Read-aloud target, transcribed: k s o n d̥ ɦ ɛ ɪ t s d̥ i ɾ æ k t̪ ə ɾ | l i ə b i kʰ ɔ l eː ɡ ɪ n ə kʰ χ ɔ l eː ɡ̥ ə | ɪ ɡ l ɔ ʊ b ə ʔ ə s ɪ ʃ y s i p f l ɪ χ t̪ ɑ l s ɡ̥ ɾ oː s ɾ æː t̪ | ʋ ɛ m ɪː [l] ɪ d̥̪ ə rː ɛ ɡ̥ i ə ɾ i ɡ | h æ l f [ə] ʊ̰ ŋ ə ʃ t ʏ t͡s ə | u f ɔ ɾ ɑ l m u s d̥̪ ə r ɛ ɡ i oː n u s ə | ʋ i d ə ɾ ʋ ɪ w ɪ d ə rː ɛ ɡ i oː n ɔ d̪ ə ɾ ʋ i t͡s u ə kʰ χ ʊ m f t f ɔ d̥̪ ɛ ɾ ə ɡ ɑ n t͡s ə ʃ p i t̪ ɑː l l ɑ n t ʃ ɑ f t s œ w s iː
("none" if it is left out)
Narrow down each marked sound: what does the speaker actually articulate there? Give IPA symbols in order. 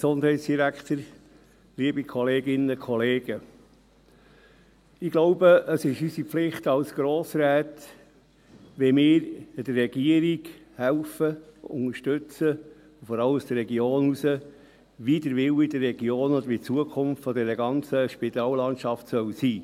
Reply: ɾ, ə

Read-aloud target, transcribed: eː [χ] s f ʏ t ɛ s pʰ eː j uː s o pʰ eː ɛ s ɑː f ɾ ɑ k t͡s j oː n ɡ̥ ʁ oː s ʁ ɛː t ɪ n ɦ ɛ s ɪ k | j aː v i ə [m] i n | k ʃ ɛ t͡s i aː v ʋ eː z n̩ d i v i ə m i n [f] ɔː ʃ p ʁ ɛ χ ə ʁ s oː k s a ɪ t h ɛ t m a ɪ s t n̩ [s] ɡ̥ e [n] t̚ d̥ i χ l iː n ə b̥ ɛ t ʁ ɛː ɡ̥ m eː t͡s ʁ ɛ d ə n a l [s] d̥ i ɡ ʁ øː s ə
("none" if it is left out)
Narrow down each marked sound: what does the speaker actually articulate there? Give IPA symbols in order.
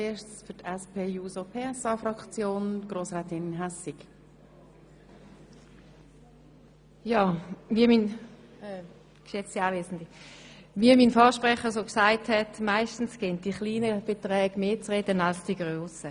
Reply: ʃ, m, f, s, n, s

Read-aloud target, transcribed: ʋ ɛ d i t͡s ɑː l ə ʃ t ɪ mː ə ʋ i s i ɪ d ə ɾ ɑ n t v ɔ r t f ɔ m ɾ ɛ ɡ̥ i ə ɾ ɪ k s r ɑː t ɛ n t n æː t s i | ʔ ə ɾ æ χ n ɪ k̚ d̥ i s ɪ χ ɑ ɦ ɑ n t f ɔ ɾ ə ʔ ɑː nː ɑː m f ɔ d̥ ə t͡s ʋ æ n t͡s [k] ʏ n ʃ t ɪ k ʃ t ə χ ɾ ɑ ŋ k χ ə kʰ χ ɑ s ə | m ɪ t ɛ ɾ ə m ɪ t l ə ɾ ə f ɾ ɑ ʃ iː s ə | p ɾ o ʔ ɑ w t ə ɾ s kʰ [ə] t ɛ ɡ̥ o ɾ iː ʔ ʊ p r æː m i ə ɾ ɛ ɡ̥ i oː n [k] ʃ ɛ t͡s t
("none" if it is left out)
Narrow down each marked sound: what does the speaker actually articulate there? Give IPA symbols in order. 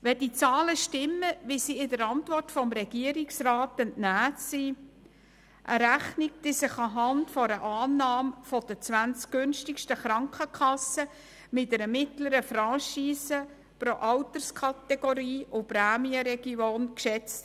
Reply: k, ɑ, k

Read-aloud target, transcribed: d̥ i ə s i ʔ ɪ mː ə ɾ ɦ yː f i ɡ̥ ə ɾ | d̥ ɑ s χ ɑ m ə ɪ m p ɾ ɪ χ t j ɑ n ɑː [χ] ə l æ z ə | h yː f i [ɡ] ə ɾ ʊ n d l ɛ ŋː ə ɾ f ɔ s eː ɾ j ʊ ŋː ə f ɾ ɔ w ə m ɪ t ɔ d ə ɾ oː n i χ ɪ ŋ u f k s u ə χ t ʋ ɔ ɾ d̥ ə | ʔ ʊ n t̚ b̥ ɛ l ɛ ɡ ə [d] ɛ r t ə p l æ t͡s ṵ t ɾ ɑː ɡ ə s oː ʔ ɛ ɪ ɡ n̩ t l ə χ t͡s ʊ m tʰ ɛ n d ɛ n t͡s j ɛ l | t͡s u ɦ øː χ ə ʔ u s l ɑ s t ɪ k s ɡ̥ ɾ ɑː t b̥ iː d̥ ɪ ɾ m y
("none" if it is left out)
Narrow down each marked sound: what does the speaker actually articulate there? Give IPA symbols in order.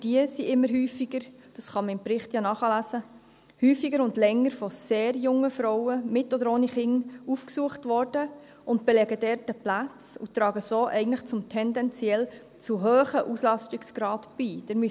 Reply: χ, ɡ, d

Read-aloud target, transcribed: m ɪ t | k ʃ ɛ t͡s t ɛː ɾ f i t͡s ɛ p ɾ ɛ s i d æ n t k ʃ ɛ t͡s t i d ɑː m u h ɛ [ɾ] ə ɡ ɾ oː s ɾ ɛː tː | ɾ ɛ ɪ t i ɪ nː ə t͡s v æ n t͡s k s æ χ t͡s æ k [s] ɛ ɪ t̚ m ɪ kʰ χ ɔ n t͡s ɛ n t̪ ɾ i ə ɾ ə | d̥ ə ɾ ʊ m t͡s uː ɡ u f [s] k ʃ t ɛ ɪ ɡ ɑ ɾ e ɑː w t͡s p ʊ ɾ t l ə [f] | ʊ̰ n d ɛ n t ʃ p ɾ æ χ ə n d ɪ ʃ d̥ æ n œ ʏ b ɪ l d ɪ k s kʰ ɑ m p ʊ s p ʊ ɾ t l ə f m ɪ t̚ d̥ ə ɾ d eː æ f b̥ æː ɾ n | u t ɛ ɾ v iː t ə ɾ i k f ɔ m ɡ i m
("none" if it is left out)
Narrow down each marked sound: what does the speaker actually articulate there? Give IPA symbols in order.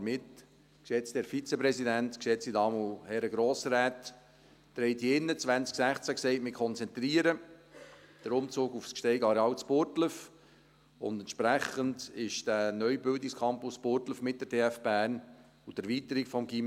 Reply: ɾ, s, s, f

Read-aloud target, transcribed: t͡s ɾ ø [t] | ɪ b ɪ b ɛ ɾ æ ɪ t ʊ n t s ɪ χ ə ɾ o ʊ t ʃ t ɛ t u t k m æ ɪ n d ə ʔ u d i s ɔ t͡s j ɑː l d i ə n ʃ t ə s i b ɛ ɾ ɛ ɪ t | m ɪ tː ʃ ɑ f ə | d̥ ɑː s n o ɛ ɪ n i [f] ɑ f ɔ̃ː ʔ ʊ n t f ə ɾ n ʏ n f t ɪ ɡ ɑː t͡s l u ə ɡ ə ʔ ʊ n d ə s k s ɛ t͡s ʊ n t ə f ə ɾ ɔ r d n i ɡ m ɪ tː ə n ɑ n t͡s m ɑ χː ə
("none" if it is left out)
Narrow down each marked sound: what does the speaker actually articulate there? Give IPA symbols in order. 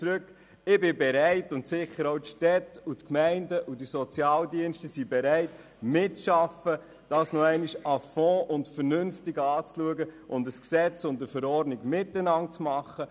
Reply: k, ʃ

